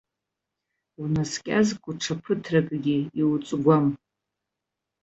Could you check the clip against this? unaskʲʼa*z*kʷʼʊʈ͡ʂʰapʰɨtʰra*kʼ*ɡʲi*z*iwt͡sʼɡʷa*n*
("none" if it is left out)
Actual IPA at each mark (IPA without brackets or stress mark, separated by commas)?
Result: z, kʼ, none, m